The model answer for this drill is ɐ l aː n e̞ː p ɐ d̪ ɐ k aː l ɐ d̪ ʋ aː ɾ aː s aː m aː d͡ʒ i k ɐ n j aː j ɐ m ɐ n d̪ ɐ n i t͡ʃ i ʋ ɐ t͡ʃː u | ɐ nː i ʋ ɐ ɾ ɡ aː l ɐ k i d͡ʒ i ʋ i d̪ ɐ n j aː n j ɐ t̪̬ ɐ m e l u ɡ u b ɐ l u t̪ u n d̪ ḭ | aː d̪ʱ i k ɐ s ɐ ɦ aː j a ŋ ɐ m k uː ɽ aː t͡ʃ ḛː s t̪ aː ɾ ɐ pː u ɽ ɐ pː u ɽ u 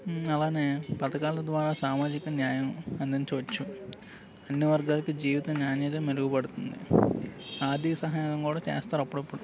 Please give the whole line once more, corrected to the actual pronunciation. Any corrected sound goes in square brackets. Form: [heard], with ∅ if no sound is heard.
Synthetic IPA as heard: ɐ l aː n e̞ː p ɐ [t̪] ɐ k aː l ɐ d̪ ʋ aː ɾ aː s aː m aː d͡ʒ i k ɐ n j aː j ɐ m ɐ n d̪ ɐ n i t͡ʃ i ʋ ɐ t͡ʃː u | ɐ nː i ʋ ɐ ɾ ɡ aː l ɐ k i d͡ʒ [iː] ʋ i [t̪] ɐ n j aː n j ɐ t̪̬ ɐ m e l u ɡ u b ɐ [ɽ] u t̪ u n d̪ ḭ | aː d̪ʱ i k ɐ s ɐ ɦ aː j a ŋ ɐ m k uː ɽ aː t͡ʃ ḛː s t̪ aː ɾ ɐ pː u ɽ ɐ pː u ɽ u